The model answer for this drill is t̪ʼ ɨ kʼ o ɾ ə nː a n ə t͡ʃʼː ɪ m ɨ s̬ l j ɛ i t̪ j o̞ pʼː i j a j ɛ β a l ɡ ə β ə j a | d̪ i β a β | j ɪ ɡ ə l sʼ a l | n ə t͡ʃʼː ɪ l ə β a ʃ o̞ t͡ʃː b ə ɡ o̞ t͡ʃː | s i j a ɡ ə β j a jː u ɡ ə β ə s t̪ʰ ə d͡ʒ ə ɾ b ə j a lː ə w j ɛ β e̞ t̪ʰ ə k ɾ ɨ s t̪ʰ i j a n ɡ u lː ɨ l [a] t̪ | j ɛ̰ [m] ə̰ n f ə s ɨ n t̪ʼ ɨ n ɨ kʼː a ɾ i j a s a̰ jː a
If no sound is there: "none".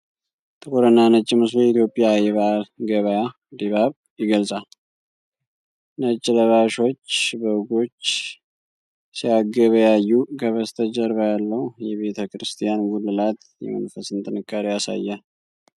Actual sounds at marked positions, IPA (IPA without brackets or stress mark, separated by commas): a, m